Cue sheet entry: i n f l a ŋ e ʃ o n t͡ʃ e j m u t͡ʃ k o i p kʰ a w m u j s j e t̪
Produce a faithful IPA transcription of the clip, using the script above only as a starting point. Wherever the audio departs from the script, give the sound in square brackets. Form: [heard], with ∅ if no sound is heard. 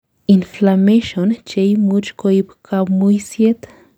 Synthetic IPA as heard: i n f l a [m] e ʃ o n t͡ʃ e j m u t͡ʃ k o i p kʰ a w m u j s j e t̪

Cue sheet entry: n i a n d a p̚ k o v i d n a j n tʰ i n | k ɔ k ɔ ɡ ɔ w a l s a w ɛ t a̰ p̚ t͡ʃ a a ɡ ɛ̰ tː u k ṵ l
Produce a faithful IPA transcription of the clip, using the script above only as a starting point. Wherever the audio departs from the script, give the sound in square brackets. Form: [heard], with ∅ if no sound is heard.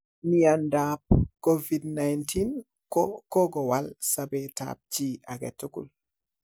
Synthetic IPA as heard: n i a n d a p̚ k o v i d n a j n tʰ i n | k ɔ k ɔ ɡ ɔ w a l s a [b] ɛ t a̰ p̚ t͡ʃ [i] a ɡ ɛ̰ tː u k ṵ l

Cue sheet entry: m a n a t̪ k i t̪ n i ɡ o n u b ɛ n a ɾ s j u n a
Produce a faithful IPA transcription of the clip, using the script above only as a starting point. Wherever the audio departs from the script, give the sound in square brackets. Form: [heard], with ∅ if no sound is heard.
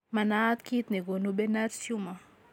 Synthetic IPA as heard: m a n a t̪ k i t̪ n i ɡ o n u b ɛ n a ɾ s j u [m] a

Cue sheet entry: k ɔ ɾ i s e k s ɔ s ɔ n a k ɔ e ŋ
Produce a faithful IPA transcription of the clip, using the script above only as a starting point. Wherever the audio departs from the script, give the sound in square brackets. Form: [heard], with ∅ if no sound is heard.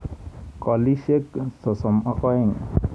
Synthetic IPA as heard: k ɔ [l] i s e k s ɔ s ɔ [m] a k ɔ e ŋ

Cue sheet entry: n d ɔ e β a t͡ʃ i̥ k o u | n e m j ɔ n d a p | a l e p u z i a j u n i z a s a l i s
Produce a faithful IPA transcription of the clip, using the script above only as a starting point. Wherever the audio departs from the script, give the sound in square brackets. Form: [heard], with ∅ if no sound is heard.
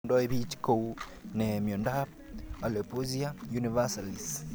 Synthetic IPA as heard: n d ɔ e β [i] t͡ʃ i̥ k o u | n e m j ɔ n d a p | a l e p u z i a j u n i [v] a s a l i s

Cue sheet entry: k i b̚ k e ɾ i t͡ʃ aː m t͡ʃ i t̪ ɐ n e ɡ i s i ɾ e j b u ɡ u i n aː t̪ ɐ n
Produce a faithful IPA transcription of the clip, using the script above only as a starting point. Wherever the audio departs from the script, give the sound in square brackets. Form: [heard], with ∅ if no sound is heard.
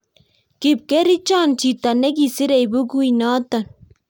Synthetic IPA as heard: k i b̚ k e ɾ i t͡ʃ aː [n] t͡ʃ i t̪ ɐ n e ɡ i s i ɾ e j b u ɡ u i n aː t̪ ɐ n

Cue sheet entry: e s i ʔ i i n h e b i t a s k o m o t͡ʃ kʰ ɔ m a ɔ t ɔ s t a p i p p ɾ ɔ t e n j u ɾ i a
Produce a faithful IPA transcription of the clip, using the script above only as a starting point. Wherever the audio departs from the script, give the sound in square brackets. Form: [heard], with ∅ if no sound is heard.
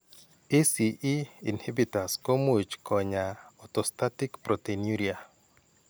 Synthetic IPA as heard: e s i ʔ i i n h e b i t a s k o m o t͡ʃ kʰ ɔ [ɲ] a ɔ t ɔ s t a [t] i [k] p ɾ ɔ t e n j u ɾ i a

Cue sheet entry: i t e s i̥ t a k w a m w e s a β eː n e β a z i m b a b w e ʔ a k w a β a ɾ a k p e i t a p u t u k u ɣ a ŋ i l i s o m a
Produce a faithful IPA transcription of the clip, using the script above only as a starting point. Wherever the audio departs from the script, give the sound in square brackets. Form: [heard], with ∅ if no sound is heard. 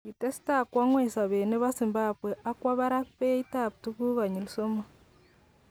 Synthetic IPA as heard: i t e s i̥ t a k w a [ŋ] w e s a β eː n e β a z i m b a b w e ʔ a k w a β a ɾ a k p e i t a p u t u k u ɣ a [ɲ] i l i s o m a

